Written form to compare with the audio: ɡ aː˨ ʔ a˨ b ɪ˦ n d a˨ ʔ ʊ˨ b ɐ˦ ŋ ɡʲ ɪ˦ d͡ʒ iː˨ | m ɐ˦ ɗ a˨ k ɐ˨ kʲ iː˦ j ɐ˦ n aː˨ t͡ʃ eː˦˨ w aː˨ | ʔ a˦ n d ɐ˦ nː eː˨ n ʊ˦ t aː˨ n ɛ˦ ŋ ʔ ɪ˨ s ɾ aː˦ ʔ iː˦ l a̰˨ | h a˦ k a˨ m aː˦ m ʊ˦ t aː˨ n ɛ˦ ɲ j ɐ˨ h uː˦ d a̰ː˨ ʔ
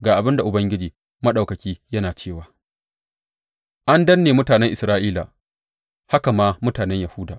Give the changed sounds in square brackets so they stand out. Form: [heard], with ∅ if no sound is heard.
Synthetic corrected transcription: ɡ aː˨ ʔ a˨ b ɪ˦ n d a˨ ʔ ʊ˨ b ɐ˦ ŋ ɡʲ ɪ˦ d͡ʒ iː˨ | m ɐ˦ ɗ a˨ k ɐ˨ kʲ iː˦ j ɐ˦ n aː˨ t͡ʃ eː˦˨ w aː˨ | ʔ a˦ n d ɐ˦ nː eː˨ [m] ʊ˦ t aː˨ n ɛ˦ ŋ ʔ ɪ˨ s ɾ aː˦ ʔ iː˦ l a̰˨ | h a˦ k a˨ m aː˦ m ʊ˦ t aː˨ n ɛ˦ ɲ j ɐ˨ h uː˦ d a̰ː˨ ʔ

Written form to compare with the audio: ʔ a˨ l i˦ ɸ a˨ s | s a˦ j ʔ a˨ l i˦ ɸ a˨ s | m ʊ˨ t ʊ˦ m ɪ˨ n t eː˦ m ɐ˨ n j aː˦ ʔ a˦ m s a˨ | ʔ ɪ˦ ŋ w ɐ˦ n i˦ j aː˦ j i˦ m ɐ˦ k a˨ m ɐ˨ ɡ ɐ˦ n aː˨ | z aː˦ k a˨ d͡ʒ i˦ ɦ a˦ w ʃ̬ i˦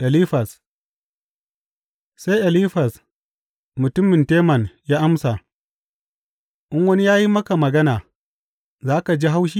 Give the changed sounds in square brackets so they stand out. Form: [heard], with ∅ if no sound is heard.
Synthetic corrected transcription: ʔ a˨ l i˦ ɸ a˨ s | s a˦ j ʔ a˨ l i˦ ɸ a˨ s | m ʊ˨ t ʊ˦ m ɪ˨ n t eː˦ m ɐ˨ n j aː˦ ʔ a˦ m s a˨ | ʔ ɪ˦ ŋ w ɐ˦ n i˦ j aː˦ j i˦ m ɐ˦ k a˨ m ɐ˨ ɡ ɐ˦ n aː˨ | z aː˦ k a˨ d͡ʒ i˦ ɦ a˦ w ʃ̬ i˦

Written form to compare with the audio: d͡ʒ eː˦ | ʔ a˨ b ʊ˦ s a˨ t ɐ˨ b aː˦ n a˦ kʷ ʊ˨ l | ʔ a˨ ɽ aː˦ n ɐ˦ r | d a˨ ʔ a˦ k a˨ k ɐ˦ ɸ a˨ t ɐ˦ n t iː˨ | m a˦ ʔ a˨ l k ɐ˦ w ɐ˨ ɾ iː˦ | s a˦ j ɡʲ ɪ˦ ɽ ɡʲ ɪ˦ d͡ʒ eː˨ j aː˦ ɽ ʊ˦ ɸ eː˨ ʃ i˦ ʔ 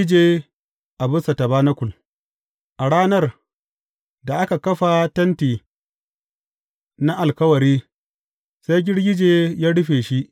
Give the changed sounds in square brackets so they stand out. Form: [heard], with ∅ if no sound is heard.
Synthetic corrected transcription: d͡ʒ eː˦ | ʔ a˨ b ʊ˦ s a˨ t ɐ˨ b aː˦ n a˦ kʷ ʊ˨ l | ʔ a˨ ɽ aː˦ n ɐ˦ r | d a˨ ʔ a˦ k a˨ k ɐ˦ ɸ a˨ t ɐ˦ n t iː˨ | [n] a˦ ʔ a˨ l k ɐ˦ w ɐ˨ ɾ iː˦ | s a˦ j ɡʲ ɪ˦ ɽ ɡʲ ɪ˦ d͡ʒ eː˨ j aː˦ ɽ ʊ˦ ɸ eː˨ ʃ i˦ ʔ

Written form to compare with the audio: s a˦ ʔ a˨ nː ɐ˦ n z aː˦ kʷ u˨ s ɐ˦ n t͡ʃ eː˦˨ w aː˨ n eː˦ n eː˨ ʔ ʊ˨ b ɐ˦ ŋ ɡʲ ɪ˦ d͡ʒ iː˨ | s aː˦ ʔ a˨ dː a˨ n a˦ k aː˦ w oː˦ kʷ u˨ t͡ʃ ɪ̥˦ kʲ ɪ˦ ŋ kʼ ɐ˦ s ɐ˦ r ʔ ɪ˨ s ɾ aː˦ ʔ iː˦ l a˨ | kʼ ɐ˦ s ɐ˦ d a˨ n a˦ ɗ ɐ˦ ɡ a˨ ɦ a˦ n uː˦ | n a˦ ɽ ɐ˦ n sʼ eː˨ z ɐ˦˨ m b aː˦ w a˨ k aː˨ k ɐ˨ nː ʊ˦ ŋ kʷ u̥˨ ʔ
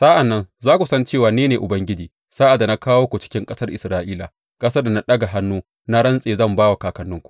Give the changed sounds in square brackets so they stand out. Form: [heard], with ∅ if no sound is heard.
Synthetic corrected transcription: s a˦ ʔ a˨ nː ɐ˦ n z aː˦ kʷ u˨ s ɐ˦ n t͡ʃ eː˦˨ w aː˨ n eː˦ n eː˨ ʔ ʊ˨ b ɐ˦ ŋ ɡʲ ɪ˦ d͡ʒ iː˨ | s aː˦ ʔ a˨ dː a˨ n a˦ k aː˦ w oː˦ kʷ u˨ t͡ʃ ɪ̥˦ kʲ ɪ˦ ŋ kʼ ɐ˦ s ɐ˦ r ʔ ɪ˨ s ɾ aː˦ ʔ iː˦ l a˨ | kʼ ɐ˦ s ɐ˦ d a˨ n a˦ ɗ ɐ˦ ɡ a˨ ɦ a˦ [nː] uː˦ | n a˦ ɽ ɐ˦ n sʼ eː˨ z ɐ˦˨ m b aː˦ w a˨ k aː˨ k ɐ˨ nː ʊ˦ ŋ kʷ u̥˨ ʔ

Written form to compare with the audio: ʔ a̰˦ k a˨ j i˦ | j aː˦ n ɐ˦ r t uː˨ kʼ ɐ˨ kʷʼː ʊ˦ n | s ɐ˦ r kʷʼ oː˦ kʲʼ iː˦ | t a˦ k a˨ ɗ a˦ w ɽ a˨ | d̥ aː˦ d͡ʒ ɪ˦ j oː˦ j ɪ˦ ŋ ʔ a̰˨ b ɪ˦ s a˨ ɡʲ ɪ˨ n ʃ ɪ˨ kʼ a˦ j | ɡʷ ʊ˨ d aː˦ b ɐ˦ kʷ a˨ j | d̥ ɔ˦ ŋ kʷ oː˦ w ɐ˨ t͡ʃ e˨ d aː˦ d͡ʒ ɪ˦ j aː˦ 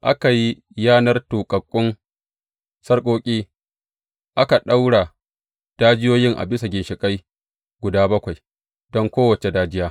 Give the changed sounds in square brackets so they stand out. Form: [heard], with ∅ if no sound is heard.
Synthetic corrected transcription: ʔ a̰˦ k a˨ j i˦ | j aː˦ n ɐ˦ r t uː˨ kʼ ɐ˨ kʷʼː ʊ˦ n | s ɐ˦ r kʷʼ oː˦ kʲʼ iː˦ | [ʔ] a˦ k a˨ ɗ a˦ w ɽ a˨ | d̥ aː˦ d͡ʒ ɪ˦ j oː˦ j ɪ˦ ŋ ʔ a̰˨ b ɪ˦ s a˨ ɡʲ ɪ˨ n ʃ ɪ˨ kʼ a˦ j | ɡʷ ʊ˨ d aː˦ b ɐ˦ kʷ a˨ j | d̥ ɔ˦ ŋ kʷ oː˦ w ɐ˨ t͡ʃ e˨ d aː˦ d͡ʒ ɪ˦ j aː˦

